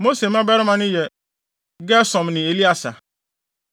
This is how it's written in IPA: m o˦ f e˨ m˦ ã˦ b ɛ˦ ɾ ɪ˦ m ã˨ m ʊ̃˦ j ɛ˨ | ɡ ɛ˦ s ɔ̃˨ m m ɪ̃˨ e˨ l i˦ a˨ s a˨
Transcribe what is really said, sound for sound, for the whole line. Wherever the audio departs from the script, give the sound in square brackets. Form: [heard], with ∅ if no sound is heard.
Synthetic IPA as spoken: m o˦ [s] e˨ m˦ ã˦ b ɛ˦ ɾ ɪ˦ m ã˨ [n] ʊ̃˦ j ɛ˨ | ɡ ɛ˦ s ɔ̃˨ m [n] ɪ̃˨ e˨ l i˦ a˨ s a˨